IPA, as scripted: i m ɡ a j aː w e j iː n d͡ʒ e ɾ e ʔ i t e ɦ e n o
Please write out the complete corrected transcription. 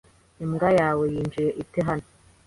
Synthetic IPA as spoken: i m ɡ a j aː w e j iː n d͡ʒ i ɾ e ʔ i t e ɦ a n o